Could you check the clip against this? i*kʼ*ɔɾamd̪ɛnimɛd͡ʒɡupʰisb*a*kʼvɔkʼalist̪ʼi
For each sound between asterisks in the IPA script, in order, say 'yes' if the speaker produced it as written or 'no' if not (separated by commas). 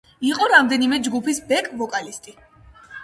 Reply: no, no